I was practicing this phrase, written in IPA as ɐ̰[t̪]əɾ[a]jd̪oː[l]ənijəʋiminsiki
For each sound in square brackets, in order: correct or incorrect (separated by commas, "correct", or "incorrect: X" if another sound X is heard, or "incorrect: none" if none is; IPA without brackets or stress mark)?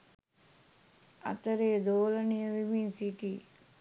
correct, incorrect: e, correct